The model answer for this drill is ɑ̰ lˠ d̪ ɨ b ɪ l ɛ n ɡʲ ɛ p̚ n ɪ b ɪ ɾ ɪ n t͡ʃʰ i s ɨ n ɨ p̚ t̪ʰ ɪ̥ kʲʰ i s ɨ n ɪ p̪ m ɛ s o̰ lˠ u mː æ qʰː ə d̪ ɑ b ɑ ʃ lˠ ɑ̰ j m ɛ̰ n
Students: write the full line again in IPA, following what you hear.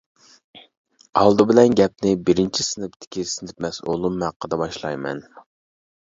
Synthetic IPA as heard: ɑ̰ lˠ d̪ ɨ b ɪ l ɛ n ɡʲ ɛ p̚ n ɪ b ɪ ɾ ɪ n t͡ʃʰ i s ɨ n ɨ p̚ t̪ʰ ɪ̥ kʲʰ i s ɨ n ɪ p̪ m ɛ s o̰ lˠ u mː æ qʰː ə d̪ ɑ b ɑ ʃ lˠ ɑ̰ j m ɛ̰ n